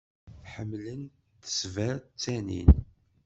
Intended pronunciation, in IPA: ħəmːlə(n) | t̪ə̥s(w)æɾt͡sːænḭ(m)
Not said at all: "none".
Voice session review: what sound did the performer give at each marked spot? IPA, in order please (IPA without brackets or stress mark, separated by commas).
n, v, n